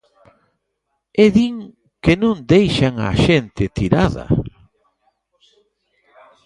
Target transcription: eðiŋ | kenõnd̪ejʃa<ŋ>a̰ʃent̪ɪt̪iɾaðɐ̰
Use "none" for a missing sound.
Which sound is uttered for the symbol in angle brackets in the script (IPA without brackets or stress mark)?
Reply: ŋ